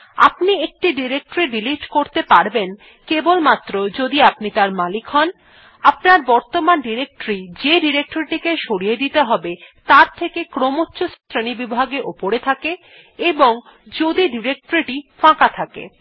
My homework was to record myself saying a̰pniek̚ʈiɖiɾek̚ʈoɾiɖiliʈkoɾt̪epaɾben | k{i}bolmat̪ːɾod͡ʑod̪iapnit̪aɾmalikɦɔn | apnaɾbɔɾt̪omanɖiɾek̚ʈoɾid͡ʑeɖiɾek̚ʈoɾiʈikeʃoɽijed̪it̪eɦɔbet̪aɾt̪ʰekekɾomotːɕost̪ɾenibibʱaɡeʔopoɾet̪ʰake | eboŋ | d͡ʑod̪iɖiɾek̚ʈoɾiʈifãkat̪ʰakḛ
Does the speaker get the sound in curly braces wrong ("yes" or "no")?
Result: yes